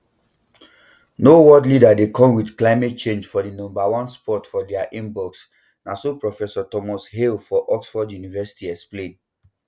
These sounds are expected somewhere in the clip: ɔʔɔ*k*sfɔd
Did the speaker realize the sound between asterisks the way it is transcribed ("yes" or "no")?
yes